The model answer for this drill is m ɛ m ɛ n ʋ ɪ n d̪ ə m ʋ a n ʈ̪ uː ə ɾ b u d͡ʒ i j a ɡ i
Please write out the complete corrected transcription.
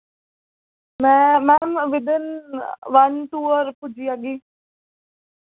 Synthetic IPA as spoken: m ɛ m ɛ m ʋ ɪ d̪ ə n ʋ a n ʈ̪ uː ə ɾ p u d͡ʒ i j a ɡ i